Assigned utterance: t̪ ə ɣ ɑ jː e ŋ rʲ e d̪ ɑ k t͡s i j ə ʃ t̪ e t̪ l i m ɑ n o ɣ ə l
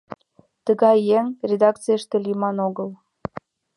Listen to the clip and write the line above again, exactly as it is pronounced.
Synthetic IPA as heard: t̪ ə ɣ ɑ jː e ŋ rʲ e d̪ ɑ k t͡s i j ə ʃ t̪ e l i m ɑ n o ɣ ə l